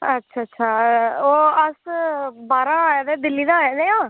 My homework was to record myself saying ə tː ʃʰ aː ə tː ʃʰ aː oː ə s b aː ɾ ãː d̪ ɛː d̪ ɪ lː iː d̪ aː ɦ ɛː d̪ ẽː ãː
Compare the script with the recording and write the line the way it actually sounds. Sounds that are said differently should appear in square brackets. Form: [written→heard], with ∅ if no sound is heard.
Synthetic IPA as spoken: ə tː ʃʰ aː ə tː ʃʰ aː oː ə s b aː ɾ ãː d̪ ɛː d̪ ɪ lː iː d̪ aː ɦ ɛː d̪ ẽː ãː